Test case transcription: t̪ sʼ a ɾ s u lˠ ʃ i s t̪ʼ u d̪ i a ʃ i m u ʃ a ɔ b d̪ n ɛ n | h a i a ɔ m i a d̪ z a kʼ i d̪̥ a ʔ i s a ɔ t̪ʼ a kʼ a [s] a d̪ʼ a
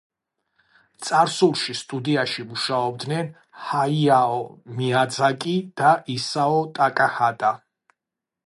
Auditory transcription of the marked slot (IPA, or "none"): h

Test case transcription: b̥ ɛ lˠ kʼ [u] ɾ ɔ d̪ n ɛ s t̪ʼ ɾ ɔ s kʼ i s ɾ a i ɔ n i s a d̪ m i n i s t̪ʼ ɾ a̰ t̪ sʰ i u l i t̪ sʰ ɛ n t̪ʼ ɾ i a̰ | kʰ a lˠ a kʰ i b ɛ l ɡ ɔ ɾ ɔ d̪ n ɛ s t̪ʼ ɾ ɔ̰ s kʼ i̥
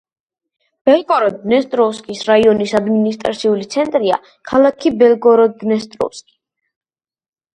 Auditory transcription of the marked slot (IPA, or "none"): ɔ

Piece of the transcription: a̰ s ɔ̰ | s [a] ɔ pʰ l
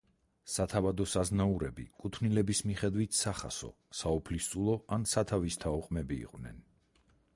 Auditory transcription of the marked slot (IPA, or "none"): a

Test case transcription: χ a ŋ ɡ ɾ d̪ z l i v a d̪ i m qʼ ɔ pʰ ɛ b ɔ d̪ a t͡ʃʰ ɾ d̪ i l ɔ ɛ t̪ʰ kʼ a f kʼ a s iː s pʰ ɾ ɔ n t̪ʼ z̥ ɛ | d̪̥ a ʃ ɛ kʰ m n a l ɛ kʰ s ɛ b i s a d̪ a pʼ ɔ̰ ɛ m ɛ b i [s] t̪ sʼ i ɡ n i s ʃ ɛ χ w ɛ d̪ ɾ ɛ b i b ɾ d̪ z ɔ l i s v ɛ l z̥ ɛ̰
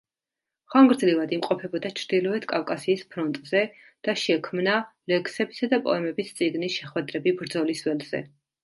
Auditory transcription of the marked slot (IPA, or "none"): s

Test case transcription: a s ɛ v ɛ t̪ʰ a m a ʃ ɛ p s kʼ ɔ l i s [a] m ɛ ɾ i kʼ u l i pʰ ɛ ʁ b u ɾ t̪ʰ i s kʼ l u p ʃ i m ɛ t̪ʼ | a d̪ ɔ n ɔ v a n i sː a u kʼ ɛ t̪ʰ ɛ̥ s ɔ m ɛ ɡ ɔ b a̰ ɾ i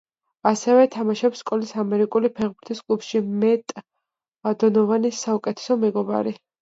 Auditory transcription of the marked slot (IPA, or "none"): a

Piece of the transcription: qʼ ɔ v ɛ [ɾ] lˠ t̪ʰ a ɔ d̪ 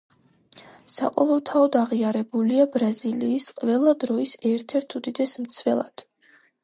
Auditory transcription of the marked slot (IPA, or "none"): none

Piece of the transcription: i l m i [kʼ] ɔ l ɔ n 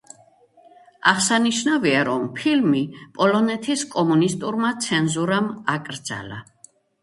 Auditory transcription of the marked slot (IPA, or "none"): pʼ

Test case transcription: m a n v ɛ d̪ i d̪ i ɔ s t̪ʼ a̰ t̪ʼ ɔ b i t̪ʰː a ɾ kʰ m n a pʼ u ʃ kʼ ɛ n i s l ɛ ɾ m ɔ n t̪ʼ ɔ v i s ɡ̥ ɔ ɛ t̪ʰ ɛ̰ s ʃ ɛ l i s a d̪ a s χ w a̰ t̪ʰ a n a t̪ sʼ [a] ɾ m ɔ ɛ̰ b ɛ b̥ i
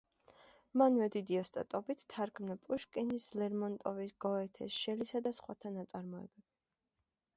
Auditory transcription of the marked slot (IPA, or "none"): a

